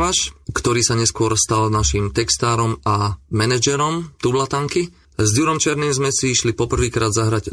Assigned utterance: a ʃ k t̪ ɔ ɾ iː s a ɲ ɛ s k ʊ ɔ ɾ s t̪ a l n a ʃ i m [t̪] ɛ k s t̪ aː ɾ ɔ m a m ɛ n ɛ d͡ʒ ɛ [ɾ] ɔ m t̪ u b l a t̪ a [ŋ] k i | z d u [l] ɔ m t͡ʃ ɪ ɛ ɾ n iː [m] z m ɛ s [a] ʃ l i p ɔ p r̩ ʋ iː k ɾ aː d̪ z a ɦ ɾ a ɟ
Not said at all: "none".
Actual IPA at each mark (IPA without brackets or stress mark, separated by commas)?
t̪, ɾ, ŋ, ɾ, m, i